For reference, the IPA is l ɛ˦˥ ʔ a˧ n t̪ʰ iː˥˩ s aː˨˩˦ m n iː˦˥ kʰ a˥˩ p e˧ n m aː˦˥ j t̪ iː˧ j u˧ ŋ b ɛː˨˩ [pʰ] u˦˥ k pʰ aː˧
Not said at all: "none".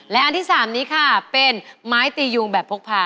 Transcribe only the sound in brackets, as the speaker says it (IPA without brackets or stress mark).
pʰ